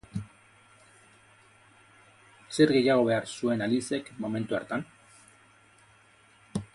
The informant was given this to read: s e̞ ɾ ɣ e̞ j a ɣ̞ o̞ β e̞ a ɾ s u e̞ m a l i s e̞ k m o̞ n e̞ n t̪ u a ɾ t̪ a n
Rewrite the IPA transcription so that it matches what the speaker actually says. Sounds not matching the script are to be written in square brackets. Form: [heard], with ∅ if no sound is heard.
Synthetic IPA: s e̞ ɾ ɣ e̞ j a ɣ̞ o̞ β e̞ a ɾ s u e̞ [n] a l i s e̞ k m o̞ [m] e̞ n t̪ u a ɾ t̪ a n